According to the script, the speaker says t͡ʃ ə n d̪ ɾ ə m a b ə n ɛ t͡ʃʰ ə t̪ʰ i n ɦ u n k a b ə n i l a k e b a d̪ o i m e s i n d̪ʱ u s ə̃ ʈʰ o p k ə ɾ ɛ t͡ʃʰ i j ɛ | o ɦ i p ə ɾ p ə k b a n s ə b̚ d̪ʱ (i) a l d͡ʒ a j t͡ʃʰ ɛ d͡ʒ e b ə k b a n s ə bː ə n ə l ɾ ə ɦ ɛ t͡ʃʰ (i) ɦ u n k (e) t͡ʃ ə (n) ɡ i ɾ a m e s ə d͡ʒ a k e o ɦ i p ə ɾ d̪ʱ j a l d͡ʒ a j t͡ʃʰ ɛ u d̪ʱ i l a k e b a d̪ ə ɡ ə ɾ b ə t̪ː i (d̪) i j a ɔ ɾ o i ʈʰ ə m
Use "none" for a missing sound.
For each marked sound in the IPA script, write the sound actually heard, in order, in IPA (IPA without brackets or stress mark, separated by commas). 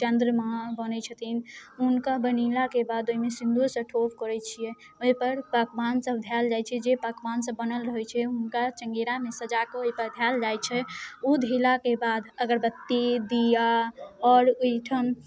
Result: j, ɛ, a, ŋ, d̪